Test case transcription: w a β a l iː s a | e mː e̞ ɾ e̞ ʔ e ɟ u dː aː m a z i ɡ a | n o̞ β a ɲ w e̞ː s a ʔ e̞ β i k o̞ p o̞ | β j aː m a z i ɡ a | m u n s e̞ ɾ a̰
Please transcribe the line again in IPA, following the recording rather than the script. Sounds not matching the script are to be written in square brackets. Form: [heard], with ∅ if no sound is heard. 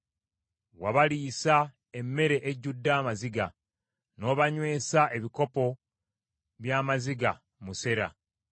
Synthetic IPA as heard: w a β a l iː s a | e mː e̞ ɾ e̞ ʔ e ɟ u dː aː m a z i ɡ a | n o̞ β a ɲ w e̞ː s a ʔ e̞ β i k o̞ p o̞ | β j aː m a z i ɡ a | m u [∅] s e̞ ɾ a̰